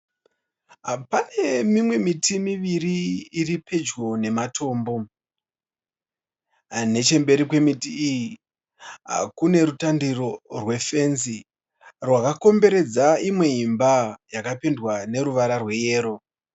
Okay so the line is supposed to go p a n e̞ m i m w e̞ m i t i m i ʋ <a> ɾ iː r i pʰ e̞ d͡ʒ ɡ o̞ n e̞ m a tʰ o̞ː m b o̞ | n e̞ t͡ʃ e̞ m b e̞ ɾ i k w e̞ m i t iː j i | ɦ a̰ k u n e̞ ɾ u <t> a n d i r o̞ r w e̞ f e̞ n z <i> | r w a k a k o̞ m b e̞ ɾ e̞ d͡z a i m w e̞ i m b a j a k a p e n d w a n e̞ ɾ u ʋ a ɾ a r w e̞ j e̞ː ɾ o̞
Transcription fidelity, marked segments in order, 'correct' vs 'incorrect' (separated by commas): incorrect, correct, correct